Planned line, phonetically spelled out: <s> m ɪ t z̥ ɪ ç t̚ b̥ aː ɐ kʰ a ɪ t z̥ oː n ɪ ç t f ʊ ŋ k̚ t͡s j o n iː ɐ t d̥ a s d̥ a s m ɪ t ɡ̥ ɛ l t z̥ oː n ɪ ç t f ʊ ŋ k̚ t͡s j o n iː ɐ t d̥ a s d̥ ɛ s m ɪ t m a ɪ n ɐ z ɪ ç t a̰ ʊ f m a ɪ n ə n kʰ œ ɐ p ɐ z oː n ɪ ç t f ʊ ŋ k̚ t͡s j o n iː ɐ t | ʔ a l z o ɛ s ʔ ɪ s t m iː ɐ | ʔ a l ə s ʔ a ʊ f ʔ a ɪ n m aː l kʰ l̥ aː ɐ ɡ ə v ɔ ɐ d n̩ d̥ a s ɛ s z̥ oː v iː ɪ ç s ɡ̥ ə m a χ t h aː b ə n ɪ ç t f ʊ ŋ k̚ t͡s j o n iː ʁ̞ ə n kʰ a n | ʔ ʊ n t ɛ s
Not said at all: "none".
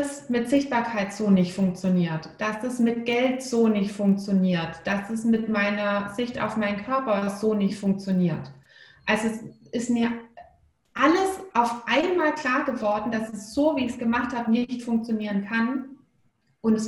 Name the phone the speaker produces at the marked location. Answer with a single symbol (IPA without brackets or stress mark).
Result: s